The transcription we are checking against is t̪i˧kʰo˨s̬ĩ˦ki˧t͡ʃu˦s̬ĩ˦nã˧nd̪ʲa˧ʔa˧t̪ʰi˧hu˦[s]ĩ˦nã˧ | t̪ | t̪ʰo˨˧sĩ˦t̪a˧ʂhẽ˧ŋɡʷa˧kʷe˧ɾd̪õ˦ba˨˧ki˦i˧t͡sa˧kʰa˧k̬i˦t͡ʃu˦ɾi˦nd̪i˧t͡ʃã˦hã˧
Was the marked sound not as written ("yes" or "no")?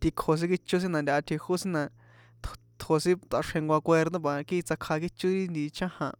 no